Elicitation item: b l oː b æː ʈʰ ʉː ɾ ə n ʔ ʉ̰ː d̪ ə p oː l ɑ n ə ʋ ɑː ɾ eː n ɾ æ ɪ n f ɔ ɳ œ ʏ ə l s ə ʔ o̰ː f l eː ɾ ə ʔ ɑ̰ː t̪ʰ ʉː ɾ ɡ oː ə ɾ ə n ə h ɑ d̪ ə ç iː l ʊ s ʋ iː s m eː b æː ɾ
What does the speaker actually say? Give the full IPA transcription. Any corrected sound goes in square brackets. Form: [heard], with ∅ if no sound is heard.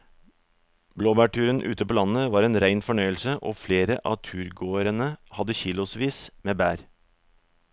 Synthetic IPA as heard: b l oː b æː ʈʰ ʉː ɾ ə n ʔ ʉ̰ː [t̪] ə p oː l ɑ n ə ʋ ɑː ɾ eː n ɾ æ ɪ n f ɔ ɳ œ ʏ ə l s ə ʔ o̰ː f l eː ɾ ə ʔ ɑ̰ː t̪ʰ ʉː ɾ ɡ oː ə ɾ ə n ə h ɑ d̪ ə ç iː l ʊ s ʋ iː s m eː b æː ɾ